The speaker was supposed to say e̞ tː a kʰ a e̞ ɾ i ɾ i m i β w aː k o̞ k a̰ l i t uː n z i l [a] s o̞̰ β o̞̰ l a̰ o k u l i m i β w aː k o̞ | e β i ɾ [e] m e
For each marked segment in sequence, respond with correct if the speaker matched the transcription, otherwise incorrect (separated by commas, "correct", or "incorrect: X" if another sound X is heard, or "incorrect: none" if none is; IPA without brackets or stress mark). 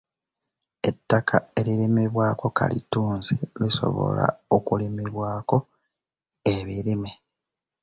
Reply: incorrect: i, incorrect: i